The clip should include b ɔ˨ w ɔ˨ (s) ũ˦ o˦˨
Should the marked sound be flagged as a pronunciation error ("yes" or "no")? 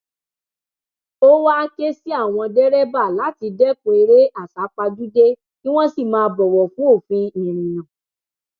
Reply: yes